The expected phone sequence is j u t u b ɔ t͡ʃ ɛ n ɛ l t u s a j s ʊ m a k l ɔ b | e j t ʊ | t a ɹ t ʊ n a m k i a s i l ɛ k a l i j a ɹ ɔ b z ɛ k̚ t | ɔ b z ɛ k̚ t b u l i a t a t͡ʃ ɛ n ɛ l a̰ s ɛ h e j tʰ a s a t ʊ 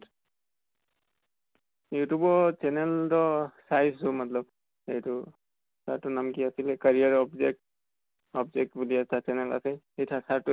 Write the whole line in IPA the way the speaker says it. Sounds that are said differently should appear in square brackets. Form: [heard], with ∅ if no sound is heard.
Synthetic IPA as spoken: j u t u b ɔ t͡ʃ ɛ n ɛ l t [ɔ] s a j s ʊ m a [t] l ɔ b | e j t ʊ | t a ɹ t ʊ n a m k i a s i l ɛ k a [ɹ] i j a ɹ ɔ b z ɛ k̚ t | ɔ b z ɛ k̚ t b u l i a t a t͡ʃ ɛ n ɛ l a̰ s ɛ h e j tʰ a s a t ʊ